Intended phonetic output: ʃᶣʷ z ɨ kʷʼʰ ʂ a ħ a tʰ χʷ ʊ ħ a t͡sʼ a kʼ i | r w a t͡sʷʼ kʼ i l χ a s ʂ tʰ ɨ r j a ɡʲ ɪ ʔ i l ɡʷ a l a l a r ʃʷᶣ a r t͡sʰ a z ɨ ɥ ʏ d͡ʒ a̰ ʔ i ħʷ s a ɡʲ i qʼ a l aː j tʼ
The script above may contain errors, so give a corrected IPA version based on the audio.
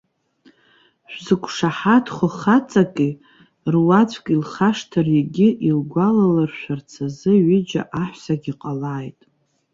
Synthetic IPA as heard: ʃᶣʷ z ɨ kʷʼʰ ʂ a ħ a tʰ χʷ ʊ χ a t͡sʼ a kʼ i | r w a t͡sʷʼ kʼ i l χ a ʂ tʰ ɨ r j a ɡʲ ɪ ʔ i l ɡʷ a l a l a r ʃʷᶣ a r t͡sʰ a z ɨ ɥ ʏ d͡ʒ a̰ ʔ a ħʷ s a ɡʲ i qʼ a l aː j tʼ